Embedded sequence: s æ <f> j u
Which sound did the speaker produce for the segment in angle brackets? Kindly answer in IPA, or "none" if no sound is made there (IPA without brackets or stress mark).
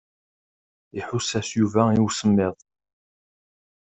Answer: s